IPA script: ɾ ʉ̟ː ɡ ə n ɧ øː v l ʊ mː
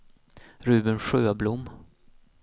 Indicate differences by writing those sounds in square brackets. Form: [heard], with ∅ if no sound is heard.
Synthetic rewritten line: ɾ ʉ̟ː [b] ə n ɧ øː [b] l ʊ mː